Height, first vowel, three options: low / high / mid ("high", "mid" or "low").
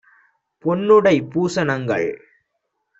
mid